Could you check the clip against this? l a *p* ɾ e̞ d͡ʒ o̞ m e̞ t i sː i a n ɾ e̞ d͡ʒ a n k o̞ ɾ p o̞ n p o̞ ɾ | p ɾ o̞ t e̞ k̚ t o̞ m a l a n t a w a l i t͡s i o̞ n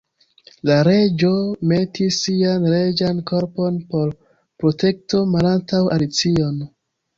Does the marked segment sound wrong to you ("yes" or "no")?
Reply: yes